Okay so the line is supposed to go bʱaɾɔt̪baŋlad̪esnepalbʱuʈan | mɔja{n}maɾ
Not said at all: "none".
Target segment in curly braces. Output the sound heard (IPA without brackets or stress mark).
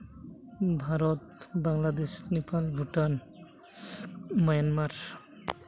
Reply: n